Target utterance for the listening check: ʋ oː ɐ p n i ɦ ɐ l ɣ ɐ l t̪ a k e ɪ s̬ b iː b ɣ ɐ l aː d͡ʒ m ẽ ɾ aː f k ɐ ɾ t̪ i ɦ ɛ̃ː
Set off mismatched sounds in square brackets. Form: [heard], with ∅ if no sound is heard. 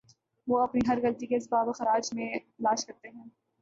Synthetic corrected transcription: ʋ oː ɐ p n i ɦ ɐ [ɾ] ɣ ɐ l t̪ [i] k e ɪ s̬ b [aː] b [x] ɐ [ɾ] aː d͡ʒ m ẽ [l] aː [ʃ] k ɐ ɾ t̪ [e] ɦ ɛ̃ː